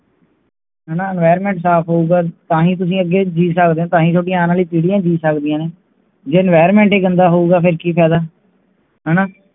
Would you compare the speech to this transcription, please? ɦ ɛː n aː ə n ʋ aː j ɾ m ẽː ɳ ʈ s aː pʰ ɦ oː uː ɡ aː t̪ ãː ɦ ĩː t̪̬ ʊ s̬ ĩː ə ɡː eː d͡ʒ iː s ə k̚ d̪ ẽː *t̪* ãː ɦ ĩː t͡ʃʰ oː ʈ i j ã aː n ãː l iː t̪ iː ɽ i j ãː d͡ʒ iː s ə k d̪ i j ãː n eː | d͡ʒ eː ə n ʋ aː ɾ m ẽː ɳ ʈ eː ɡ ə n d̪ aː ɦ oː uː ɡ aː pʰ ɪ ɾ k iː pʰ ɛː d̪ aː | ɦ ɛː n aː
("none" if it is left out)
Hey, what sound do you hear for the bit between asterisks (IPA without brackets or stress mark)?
t̪